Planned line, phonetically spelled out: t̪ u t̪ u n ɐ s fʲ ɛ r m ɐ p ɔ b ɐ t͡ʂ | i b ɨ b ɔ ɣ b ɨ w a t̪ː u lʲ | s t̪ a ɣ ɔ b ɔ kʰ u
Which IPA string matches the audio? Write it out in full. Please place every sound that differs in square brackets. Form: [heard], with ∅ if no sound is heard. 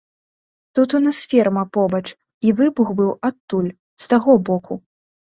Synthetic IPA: t̪ u t̪ u n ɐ s fʲ ɛ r m ɐ p ɔ b ɐ t͡ʂ | i [v] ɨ b [u] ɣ b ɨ w a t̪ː u lʲ | s t̪ a ɣ ɔ b ɔ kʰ u

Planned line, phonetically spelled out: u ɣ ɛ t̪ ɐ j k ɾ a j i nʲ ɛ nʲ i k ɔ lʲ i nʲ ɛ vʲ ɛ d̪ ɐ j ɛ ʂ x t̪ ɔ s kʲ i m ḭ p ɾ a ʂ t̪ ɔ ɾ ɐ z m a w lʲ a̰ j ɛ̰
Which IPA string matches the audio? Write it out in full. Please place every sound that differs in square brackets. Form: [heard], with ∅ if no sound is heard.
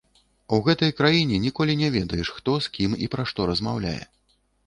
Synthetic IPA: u ɣ ɛ t̪ ɐ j k ɾ a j i nʲ ɛ nʲ i k ɔ lʲ i nʲ ɛ vʲ ɛ d̪ ɐ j ɛ ʂ x t̪ ɔ s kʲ i m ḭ p ɾ a ʂ t̪ ɔ ɾ ɐ z m a w lʲ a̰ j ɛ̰

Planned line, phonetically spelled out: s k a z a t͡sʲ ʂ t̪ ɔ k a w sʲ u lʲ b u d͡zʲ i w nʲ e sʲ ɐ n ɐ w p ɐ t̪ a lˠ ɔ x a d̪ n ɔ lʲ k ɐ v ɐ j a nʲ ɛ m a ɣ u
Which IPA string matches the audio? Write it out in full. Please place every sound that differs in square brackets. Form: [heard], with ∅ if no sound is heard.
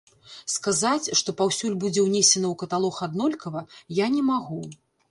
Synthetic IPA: s k a z a t͡sʲ ʂ t̪ ɔ [p] a w sʲ u lʲ b u d͡zʲ [ɛ] w nʲ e sʲ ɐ n ɐ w [k] ɐ t̪ a lˠ ɔ x a d̪ n ɔ lʲ k ɐ v ɐ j a nʲ ɛ m a ɣ u

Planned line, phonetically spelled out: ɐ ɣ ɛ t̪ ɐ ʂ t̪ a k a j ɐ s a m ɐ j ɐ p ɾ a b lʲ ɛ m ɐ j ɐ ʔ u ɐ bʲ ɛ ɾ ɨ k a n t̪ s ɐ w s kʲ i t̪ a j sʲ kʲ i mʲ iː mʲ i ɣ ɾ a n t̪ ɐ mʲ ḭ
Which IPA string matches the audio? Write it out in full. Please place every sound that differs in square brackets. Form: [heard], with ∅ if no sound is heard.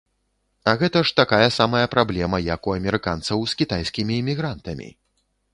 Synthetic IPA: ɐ ɣ ɛ t̪ ɐ ʂ t̪ a k a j ɐ s a m ɐ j ɐ p ɾ a b lʲ ɛ m ɐ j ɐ [k] u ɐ [mʲ] ɛ ɾ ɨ k a n t̪ s ɐ w s kʲ i t̪ a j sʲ kʲ i mʲ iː mʲ i ɣ ɾ a n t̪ ɐ mʲ ḭ

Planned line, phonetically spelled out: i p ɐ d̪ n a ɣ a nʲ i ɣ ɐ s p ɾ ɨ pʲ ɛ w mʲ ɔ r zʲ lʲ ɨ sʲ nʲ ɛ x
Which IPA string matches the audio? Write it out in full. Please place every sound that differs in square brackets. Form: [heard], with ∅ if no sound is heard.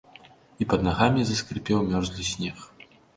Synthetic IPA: i p ɐ d̪ n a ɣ a [mʲ] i [z] ɐ s [k] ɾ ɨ pʲ ɛ w mʲ ɔ r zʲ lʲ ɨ sʲ nʲ ɛ x

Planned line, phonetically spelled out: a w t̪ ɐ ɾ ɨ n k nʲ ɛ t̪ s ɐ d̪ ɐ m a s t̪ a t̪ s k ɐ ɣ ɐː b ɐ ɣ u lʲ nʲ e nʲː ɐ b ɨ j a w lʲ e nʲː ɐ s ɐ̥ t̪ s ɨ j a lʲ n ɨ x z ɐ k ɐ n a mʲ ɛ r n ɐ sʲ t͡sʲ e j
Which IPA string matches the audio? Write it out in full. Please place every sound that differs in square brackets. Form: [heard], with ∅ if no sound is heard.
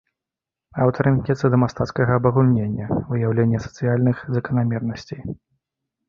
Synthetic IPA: a w t̪ ɐ ɾ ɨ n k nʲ ɛ t̪ s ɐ d̪ ɐ m a s t̪ a t̪ s k ɐ ɣ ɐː b ɐ ɣ u lʲ nʲ e nʲː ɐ [v] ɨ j a w lʲ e nʲː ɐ s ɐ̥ t̪ s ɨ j a lʲ n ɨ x z ɐ k ɐ n a mʲ ɛ r n ɐ sʲ t͡sʲ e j

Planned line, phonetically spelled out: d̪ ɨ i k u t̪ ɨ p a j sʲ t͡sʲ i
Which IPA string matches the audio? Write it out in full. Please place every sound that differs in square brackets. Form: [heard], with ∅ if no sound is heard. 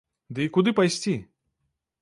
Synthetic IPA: d̪ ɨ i k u [d̪] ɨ p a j sʲ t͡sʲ i

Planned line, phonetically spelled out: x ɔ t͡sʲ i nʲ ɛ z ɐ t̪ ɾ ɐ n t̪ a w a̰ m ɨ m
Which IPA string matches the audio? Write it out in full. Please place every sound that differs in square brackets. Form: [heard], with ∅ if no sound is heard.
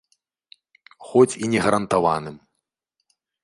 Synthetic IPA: x ɔ t͡sʲ i nʲ ɛ [ɣ] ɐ [∅] ɾ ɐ n t̪ a [v] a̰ [n] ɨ m

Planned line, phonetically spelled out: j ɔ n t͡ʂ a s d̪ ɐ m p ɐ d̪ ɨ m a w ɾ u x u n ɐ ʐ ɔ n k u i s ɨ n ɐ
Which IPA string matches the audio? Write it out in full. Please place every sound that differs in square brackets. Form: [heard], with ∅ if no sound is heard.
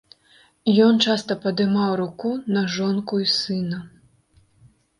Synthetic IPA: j ɔ n t͡ʂ a s [t̪] ɐ [∅] p ɐ d̪ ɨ m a w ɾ u [k] u n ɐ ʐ ɔ n k u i s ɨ n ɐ

